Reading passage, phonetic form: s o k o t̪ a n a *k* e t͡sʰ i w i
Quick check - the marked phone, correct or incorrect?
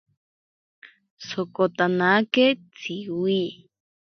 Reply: correct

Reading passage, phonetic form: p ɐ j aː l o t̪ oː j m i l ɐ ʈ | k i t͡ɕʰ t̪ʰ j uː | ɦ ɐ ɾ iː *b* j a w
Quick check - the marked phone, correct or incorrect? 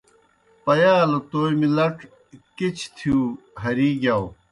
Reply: incorrect: ɡ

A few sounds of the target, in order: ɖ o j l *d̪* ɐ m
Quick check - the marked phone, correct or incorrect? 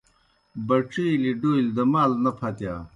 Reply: correct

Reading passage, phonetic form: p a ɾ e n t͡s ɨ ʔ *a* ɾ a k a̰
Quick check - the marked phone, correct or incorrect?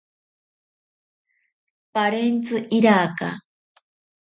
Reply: incorrect: i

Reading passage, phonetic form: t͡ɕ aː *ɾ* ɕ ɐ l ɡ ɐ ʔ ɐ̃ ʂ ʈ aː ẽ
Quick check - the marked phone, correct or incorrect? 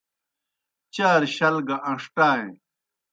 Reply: correct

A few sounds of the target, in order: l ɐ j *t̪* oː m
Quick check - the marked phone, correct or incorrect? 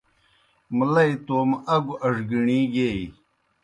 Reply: correct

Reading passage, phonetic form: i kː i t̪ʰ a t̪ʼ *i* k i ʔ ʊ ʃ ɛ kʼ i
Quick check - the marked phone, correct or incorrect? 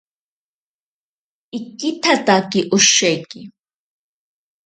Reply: incorrect: a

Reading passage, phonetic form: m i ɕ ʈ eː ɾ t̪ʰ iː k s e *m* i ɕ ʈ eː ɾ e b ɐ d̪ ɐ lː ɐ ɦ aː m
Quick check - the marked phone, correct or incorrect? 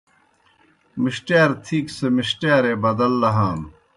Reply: correct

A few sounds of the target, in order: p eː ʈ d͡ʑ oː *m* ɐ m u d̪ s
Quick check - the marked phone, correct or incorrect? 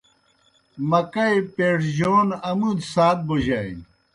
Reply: incorrect: n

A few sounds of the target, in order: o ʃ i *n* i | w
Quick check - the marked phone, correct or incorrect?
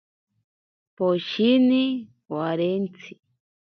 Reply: correct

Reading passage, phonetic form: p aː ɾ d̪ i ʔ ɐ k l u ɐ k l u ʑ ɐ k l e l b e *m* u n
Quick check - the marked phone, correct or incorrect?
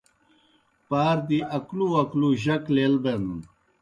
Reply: incorrect: n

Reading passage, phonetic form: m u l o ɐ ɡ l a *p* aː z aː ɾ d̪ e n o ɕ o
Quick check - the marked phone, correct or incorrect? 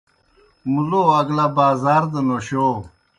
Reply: incorrect: b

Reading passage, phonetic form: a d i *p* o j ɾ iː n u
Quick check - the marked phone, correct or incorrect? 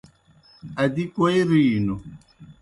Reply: incorrect: k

